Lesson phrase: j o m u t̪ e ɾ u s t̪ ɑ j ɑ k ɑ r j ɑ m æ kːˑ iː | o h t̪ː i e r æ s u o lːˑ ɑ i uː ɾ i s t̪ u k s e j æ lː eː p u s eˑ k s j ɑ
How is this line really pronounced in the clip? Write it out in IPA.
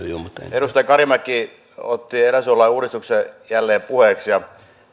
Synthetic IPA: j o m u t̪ e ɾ u s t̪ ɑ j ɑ k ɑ r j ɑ m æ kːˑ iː | o t̪ː i e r æ s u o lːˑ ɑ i uː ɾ i s t̪ u k s e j æ lː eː p u h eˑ k s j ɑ